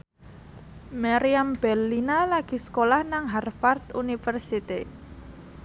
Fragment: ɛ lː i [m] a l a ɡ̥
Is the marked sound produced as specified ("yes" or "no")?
no